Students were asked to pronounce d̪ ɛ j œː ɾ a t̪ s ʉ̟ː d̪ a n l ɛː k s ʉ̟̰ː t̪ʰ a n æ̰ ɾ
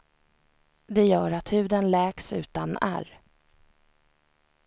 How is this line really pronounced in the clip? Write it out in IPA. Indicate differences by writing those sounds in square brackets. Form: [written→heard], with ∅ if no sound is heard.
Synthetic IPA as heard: d̪ ɛ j œː ɾ a t̪ [s→h] ʉ̟ː d̪ [a→ə] n l ɛː k s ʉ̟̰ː [t̪ʰ→t̪] a n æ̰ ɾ